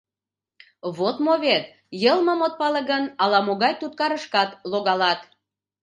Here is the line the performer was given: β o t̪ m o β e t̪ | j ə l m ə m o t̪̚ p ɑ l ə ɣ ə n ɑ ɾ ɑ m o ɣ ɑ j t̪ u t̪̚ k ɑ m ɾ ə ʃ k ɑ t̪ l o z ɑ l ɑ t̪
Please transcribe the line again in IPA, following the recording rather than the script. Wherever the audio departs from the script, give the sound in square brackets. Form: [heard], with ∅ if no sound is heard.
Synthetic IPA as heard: β o t̪ m o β e t̪ | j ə l m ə m o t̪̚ p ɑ l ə ɣ ə n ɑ [l] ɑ m o ɣ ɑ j t̪ u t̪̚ k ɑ [∅] ɾ ə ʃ k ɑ t̪ l o [ɣ] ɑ l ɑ t̪